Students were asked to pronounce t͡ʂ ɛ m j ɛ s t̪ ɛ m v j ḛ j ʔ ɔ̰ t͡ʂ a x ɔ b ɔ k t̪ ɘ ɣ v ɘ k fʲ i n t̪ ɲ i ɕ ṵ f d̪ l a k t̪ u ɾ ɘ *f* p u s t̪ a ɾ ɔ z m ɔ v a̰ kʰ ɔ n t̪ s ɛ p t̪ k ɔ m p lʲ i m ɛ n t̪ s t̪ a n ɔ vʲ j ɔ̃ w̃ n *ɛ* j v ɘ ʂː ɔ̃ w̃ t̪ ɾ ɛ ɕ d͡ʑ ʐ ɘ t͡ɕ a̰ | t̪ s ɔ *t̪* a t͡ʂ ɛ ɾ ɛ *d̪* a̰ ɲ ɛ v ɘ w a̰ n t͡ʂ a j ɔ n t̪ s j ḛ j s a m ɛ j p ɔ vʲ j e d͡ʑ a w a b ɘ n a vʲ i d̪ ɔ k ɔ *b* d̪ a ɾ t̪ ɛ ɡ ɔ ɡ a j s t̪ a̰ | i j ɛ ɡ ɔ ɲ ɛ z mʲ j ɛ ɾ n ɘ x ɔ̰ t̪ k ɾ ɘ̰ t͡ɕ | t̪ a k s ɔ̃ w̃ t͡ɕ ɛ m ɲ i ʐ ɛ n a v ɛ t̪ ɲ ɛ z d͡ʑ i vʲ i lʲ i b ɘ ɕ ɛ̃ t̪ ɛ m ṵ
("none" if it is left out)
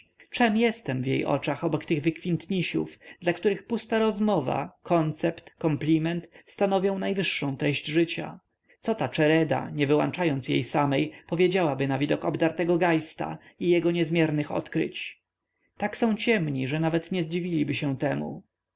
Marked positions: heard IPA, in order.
x, a, t̪, d̪, b

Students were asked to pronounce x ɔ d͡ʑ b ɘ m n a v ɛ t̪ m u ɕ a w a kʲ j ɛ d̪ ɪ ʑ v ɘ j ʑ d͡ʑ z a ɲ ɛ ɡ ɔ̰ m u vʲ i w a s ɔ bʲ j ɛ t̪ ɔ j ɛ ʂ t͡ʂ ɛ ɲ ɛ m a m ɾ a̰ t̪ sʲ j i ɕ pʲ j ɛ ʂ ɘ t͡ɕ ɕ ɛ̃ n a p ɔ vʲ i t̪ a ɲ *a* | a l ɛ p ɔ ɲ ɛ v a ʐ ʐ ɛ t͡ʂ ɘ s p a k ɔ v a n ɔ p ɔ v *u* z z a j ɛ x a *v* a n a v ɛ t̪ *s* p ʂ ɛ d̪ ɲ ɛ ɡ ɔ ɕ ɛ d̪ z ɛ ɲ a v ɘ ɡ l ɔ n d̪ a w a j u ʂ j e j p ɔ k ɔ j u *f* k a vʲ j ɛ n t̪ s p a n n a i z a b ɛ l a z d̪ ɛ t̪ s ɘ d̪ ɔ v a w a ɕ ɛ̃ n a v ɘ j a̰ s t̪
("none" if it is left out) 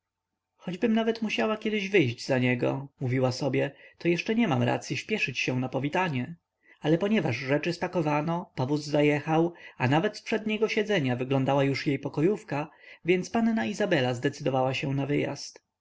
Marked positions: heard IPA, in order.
ɛ, u, w, s, f

